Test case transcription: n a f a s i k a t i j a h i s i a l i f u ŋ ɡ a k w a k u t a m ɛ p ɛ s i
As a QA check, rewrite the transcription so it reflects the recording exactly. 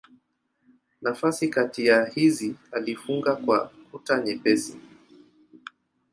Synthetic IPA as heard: n a f a s i k a t i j a h i z i a l i f u ŋ ɡ a k w a k u t a ɲ ɛ p ɛ s i